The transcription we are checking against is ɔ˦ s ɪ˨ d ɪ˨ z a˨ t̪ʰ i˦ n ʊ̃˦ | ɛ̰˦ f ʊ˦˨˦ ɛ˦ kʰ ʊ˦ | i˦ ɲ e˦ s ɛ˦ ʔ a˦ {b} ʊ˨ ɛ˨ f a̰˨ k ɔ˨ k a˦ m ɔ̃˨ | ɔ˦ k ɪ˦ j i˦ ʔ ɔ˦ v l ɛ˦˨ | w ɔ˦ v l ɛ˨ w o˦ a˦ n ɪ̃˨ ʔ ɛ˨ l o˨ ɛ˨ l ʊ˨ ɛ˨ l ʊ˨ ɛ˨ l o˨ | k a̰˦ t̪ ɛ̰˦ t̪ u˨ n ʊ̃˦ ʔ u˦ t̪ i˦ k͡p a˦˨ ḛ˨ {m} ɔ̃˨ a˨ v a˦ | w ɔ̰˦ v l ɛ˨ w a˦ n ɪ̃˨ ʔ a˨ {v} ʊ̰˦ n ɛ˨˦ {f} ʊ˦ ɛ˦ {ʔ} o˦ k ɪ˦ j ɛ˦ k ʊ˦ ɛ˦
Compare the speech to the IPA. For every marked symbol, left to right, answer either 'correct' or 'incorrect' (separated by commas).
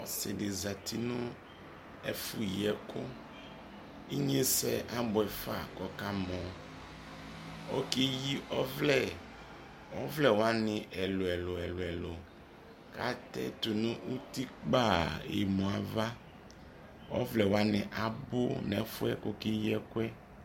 correct, correct, incorrect, correct, incorrect